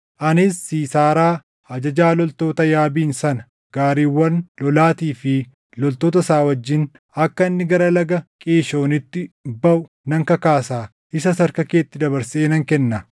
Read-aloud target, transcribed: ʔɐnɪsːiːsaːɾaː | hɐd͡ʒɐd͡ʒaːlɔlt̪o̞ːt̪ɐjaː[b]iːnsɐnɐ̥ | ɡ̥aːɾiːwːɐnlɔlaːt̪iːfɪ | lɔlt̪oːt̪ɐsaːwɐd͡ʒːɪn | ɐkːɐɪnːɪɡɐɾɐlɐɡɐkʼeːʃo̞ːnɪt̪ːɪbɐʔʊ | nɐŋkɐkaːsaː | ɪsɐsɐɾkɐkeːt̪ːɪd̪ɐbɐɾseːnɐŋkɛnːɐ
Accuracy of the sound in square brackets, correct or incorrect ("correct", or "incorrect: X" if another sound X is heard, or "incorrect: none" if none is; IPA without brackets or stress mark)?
correct